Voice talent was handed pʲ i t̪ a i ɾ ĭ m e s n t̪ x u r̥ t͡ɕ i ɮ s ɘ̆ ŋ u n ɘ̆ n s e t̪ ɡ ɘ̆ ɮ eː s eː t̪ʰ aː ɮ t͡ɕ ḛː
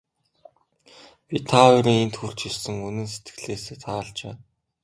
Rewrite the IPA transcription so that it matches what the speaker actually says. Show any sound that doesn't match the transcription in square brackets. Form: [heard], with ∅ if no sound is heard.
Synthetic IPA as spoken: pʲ i [t̪ʰ] a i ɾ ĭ [ŋ] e [∅] n t̪ x u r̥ t͡ɕ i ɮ s ɘ̆ ŋ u n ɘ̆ n s e t̪ ɡ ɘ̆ ɮ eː s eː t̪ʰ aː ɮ t͡ɕ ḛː